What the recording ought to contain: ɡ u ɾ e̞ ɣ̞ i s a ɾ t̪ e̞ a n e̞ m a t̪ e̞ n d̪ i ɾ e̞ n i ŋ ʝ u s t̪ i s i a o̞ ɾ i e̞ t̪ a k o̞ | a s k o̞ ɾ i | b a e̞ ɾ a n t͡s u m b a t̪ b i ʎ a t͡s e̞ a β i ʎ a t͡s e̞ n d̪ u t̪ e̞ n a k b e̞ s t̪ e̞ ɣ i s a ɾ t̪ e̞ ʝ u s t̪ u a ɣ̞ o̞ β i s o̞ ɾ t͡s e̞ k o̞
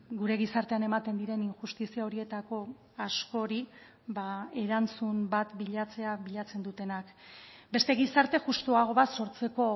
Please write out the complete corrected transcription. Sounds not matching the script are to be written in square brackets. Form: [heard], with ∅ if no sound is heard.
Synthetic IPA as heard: ɡ u ɾ e̞ ɣ̞ i s a ɾ t̪ e̞ a n e̞ m a t̪ e̞ n d̪ i ɾ e̞ n i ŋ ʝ u s t̪ i s i a o̞ ɾ i e̞ t̪ a k o̞ | a s k o̞ ɾ i | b a e̞ ɾ a n t͡s u m b a t̪ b i ʎ a t͡s e̞ a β i ʎ a t͡s e̞ n d̪ u t̪ e̞ n a k b e̞ s t̪ e̞ ɣ i s a ɾ t̪ e̞ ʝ u s t̪ u a ɣ̞ o̞ β [a] s o̞ ɾ t͡s e̞ k o̞

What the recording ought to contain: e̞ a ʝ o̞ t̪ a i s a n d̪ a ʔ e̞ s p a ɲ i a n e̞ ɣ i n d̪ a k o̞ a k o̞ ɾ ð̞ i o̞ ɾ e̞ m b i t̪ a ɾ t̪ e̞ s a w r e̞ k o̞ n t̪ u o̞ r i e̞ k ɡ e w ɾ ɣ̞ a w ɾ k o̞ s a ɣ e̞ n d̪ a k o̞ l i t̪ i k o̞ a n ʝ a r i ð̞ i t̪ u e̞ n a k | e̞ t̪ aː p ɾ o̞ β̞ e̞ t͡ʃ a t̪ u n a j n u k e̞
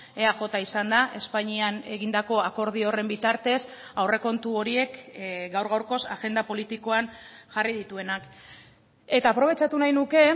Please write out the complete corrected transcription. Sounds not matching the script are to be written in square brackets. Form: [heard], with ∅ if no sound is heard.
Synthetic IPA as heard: e̞ a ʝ o̞ t̪ a i s a n d̪ a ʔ e̞ s p a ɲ i a n e̞ ɣ i n d̪ a k o̞ a k o̞ ɾ ð̞ i o̞ [r] e̞ m b i t̪ a ɾ t̪ e̞ s a w r e̞ k o̞ n t̪ u o̞ [ɾ] i e̞ k ɡ [a] w ɾ ɣ̞ a w ɾ k o̞ s a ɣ e̞ n d̪ a [p] o̞ l i t̪ i k o̞ a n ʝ a r i ð̞ i t̪ u e̞ n a k | e̞ t̪ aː p ɾ o̞ β̞ e̞ t͡ʃ a t̪ u n a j n u k e̞

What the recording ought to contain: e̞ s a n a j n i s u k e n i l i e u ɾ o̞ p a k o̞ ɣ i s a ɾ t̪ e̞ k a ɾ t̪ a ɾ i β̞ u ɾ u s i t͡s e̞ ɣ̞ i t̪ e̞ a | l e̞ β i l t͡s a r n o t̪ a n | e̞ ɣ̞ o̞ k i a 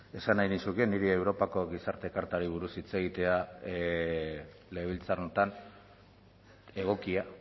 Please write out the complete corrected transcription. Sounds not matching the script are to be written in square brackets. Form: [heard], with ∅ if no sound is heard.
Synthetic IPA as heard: e̞ s a n a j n i s u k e n i [ɾ] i e [w] ɾ o̞ p a k o̞ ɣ i s a ɾ t̪ e̞ k a ɾ t̪ a ɾ i β̞ u ɾ u s i t͡s e̞ ɣ̞ i t̪ e̞ a | l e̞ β i l t͡s a r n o t̪ a n | e̞ ɣ̞ o̞ k i a

